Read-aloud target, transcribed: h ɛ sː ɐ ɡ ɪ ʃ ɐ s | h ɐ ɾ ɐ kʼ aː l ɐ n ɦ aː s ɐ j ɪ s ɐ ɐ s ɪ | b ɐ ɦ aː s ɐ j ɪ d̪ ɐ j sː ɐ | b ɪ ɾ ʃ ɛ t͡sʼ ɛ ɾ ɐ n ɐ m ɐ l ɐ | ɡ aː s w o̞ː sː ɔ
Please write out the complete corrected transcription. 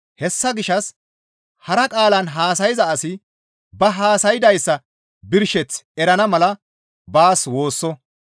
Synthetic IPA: h ɛ sː ɐ ɡ ɪ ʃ ɐ s | h ɐ ɾ ɐ kʼ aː l ɐ n ɦ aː s ɐ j ɪ z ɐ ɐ s ɪ | b ɐ ɦ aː s ɐ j ɪ d̪ ɐ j sː ɐ | b ɪ ɾ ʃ ɛ t͡s ɛ ɾ ɐ n ɐ m ɐ l ɐ | b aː s w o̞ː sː ɔ